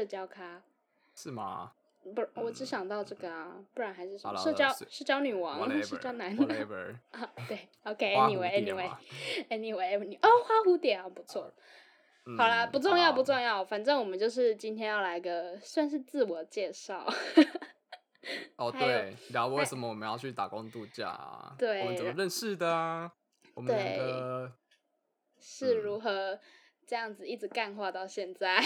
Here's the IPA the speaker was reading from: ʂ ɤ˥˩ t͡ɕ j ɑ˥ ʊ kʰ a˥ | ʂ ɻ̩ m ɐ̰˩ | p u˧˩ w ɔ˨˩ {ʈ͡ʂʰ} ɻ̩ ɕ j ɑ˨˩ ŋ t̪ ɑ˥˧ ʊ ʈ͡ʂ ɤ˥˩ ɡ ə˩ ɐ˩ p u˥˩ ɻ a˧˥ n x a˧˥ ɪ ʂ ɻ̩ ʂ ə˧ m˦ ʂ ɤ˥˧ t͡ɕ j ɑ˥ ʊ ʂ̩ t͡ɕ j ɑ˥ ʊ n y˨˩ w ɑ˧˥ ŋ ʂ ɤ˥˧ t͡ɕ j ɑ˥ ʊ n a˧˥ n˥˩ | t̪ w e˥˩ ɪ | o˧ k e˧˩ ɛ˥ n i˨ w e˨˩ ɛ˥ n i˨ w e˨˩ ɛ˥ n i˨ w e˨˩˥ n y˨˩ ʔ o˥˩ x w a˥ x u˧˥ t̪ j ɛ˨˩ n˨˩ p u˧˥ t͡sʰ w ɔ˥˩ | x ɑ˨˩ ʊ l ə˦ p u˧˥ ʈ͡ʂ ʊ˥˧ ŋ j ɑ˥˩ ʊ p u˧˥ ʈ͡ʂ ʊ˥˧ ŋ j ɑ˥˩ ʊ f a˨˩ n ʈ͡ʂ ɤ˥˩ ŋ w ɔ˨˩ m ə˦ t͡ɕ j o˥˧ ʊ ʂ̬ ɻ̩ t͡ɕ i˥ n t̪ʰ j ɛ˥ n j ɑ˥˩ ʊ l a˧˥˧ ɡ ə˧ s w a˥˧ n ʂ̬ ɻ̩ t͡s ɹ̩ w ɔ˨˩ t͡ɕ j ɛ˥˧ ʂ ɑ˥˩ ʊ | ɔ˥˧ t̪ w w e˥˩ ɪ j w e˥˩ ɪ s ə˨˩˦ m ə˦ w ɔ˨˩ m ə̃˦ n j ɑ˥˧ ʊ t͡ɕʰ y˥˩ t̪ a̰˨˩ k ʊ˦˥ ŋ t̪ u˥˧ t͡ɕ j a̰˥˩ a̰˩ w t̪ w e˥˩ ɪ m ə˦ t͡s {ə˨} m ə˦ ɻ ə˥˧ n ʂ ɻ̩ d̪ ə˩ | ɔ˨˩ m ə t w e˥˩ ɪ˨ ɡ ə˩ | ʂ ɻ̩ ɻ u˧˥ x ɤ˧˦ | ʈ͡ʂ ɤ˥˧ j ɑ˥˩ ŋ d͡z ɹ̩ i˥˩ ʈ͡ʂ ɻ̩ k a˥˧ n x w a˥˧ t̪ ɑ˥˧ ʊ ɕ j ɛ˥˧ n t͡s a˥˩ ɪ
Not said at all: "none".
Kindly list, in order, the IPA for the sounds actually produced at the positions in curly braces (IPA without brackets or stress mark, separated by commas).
ʈ͡ʂ, ə˨